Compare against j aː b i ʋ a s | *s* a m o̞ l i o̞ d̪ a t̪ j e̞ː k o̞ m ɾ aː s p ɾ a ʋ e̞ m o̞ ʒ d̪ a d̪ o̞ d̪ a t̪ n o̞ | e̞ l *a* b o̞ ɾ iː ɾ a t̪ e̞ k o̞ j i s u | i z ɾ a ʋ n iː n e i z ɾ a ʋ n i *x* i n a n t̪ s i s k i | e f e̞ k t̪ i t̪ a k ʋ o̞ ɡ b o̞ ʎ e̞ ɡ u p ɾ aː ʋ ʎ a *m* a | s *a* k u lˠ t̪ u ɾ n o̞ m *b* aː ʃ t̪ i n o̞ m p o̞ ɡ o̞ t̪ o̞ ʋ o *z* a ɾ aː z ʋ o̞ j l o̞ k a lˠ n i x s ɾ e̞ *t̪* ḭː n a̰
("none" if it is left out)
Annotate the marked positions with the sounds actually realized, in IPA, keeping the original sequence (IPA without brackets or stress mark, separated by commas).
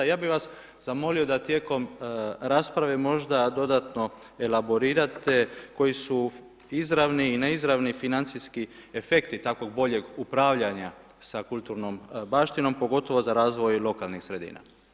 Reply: z, a, f, ɲ, a, b, z, d̪